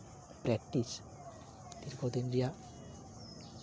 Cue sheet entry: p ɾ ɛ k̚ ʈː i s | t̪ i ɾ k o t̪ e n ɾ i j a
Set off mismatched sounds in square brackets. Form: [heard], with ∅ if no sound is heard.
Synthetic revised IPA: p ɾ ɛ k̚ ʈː i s | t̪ i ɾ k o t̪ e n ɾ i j a

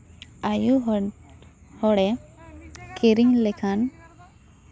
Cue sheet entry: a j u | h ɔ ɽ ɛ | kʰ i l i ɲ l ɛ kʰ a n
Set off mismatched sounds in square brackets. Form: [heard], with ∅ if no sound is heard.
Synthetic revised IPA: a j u | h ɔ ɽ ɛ | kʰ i [ɾ] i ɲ l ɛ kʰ a n

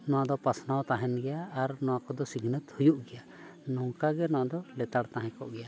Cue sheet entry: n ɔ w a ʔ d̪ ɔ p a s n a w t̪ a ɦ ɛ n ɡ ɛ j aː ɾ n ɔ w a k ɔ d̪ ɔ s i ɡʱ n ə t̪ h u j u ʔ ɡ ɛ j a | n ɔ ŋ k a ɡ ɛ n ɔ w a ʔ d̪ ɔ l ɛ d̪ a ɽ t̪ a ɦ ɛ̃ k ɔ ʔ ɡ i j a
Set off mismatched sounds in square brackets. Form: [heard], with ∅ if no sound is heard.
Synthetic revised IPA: n ɔ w a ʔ d̪ ɔ p a s n a w t̪ a ɦ ɛ n ɡ ɛ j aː ɾ n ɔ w a k ɔ d̪ ɔ s i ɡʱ n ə t̪ h u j u ʔ ɡ ɛ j a | n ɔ ŋ k a ɡ ɛ n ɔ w a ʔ d̪ ɔ l ɛ [t̪] a ɽ t̪ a ɦ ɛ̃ k ɔ ʔ ɡ [ɛ] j a

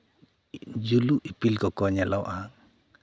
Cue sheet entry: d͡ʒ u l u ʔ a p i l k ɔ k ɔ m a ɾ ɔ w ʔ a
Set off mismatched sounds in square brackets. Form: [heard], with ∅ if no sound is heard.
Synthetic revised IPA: d͡ʒ u l u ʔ [i] p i l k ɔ k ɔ [ɲ] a [l] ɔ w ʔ a

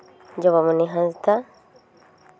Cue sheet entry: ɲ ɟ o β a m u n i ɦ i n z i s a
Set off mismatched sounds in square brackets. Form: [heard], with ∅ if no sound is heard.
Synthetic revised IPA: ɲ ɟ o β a m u n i ɦ [a] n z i [t] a

